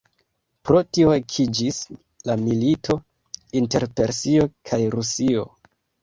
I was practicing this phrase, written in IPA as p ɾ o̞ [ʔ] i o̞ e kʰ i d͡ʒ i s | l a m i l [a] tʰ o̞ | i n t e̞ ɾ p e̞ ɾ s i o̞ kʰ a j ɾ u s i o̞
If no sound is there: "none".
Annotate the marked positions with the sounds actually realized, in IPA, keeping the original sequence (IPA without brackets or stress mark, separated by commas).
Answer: t, i